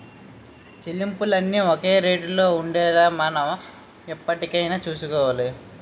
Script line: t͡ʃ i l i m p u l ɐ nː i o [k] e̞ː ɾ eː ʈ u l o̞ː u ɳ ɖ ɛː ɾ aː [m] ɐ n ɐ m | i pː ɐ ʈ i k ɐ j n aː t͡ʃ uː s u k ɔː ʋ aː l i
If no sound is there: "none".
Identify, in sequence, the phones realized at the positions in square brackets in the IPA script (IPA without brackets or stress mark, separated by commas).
k, m